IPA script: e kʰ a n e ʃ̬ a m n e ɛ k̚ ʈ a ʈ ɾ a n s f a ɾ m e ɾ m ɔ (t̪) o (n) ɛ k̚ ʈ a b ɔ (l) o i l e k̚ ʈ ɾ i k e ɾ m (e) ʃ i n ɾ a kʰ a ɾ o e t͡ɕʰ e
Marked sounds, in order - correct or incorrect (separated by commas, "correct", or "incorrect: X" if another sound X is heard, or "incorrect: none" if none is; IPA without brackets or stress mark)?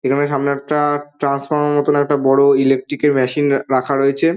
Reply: correct, correct, incorrect: ɽ, incorrect: ɛ